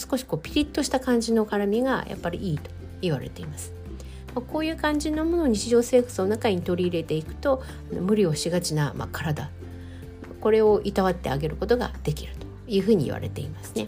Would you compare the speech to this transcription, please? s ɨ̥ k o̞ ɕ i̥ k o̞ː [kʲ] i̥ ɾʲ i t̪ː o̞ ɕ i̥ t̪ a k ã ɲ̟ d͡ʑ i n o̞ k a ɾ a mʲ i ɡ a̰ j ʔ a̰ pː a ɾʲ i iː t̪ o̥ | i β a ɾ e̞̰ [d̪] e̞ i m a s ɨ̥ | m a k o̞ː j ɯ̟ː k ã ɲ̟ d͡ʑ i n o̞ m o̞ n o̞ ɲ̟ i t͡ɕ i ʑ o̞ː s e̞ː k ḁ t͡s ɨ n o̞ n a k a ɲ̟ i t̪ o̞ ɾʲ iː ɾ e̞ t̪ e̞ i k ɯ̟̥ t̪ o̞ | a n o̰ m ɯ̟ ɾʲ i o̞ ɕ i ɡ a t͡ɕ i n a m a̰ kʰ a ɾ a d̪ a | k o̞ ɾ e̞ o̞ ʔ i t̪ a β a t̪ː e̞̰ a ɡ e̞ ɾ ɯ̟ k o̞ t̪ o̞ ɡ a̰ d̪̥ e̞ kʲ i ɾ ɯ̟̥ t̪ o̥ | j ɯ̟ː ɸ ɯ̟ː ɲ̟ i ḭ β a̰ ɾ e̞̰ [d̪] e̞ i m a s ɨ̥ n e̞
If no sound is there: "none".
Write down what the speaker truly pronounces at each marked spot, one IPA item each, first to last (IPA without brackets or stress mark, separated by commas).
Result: pʲ, t̪, t̪